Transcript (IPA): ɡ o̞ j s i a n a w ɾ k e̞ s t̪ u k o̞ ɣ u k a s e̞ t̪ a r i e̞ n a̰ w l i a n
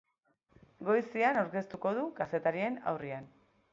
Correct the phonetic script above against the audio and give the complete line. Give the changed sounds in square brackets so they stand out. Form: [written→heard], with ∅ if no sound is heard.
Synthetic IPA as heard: ɡ o̞ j s i a n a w ɾ k e̞ s t̪ u k o̞ [ɣ→ð] u k a s e̞ t̪ a [r→ɾ] i e̞ n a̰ w [l→r] i a n

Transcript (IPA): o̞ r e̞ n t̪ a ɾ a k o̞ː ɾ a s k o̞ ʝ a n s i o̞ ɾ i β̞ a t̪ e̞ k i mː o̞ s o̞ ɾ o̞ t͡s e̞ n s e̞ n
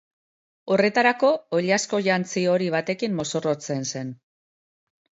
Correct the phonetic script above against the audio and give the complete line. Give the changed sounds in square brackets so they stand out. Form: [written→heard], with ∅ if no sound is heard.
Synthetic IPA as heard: o̞ r e̞ [n→∅] t̪ a ɾ a k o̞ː [ɾ→ʎ] a s k o̞ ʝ a n [s→t͡s] i o̞ ɾ i β̞ a t̪ e̞ k i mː o̞ s o̞ [ɾ→r] o̞ t͡s e̞ n s e̞ n

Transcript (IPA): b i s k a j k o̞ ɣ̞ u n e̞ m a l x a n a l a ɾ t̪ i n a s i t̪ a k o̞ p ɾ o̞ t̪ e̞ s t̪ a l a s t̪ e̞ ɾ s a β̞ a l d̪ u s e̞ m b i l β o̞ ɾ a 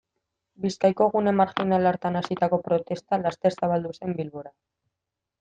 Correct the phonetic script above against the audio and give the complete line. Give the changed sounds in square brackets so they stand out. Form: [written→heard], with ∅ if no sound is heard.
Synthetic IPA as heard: b i s k a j k o̞ ɣ̞ u n e̞ m a [l→ɾ] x [a→i] n a l a ɾ t̪ [i→a] n a s i t̪ a k o̞ p ɾ o̞ t̪ e̞ s t̪ a l a s t̪ e̞ ɾ s a β̞ a l d̪ u s e̞ m b i l β o̞ ɾ a

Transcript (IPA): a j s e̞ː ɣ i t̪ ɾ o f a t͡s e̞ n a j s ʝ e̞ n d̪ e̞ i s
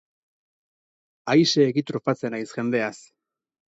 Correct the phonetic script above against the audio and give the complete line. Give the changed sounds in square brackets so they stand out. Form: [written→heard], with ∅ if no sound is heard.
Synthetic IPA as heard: a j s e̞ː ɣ i t̪ ɾ o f a t͡s e̞ n a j s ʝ e̞ n d̪ e̞ [i→a] s

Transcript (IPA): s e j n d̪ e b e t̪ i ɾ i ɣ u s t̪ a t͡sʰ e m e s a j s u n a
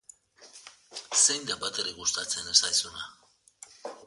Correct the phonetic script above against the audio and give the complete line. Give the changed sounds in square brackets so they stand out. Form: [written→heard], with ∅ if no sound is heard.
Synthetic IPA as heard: s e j n d̪ [e→a] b [e→a] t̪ [i→e] ɾ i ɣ u s t̪ a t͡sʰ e [m→n] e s a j s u n a

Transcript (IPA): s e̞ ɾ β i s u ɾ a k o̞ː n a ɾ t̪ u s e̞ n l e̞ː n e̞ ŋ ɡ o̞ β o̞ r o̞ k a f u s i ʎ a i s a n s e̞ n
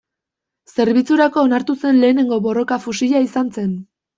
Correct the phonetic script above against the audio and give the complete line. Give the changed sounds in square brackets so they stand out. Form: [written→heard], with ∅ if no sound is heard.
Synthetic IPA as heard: s e̞ ɾ β i [s→t͡s] u ɾ a k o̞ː n a ɾ t̪ u s e̞ n l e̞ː n e̞ ŋ ɡ o̞ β o̞ r o̞ k a f u s i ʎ a i s a n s e̞ n

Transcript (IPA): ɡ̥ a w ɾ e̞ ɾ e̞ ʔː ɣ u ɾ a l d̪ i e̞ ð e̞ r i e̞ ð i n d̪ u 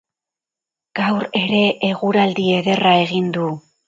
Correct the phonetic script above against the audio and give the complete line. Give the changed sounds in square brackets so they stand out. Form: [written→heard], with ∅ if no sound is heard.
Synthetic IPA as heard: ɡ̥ a w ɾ e̞ ɾ e̞ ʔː ɣ u ɾ a l d̪ i e̞ ð e̞ r [i→a] e̞ [ð→ɣ] i n d̪ u

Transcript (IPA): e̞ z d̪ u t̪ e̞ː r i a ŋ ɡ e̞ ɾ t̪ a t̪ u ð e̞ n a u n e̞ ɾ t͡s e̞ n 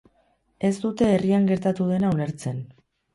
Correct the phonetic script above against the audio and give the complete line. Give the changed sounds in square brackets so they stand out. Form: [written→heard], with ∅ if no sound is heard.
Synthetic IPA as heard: e̞ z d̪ u t̪ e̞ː r i a ŋ ɡ e̞ ɾ t̪ a t̪ u ð e̞ n a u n e̞ ɾ t͡s e̞ n

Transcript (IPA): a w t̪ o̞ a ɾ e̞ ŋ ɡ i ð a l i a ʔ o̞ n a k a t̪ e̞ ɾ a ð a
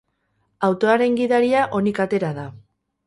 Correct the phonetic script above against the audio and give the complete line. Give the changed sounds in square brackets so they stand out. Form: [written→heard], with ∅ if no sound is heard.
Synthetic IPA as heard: a w t̪ o̞ a ɾ e̞ ŋ ɡ i ð a [l→ɾ] i a ʔ o̞ n [a→i] k a t̪ e̞ ɾ a ð a

